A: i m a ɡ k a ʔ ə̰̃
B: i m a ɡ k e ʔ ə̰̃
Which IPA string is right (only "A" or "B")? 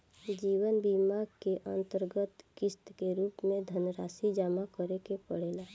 B